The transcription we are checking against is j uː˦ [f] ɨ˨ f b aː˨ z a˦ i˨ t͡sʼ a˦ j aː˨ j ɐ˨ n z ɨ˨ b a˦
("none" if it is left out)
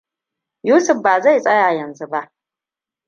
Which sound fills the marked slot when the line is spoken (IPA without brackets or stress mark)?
s